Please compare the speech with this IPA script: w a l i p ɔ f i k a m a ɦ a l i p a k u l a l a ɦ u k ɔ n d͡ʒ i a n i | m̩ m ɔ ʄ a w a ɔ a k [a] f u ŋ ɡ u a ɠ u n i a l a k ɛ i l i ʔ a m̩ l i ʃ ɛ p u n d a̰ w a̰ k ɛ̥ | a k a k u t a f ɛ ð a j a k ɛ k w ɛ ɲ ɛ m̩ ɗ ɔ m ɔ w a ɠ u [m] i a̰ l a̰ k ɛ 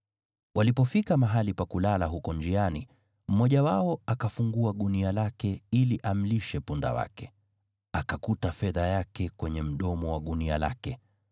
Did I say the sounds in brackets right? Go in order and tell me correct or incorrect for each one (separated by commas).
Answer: correct, incorrect